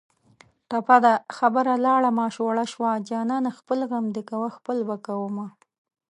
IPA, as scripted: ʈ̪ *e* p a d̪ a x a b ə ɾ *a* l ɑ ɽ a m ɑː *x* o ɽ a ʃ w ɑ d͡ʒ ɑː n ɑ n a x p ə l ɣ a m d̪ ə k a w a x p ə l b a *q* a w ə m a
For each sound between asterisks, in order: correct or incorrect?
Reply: incorrect, correct, incorrect, incorrect

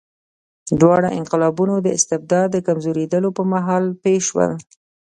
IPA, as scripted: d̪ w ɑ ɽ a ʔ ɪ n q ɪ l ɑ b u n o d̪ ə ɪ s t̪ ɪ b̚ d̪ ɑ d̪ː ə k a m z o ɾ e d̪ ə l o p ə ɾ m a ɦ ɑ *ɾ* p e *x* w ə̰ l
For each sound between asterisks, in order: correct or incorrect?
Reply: incorrect, incorrect

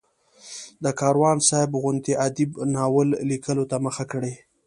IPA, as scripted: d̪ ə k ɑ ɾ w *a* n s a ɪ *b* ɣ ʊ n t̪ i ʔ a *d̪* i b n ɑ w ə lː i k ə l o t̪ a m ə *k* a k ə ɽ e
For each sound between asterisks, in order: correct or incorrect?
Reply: incorrect, correct, correct, incorrect

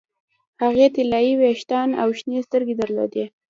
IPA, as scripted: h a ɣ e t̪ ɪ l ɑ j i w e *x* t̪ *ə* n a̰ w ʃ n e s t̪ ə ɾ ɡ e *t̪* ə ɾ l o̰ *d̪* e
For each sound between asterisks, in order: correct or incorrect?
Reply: incorrect, incorrect, incorrect, correct

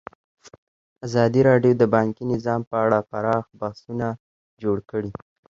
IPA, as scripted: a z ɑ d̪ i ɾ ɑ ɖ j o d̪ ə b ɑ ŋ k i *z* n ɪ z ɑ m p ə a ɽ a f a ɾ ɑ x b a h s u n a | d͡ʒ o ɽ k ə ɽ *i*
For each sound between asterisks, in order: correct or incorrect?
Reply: incorrect, correct

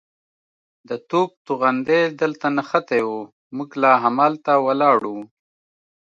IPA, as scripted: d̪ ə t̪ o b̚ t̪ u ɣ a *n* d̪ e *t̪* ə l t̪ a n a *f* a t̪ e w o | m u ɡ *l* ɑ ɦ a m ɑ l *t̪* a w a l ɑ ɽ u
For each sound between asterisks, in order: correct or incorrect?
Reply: correct, incorrect, incorrect, correct, correct

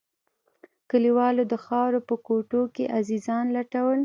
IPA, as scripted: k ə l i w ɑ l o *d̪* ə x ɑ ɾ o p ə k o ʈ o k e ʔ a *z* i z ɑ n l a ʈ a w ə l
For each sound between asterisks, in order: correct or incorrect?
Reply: correct, correct

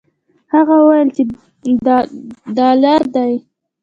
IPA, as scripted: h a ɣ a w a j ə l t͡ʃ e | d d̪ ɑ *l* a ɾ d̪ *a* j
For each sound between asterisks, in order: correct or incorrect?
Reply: correct, correct

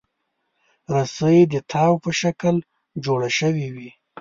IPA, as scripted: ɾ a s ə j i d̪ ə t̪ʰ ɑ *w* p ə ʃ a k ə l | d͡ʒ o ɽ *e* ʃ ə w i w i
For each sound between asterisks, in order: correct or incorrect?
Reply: correct, incorrect

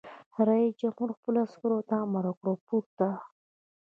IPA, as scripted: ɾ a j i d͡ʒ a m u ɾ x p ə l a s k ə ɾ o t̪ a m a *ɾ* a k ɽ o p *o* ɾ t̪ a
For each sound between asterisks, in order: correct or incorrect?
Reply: correct, incorrect

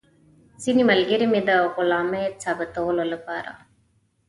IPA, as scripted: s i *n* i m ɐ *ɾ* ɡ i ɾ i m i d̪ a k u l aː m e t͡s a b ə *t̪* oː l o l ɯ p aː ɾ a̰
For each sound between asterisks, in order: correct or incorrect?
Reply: correct, incorrect, correct

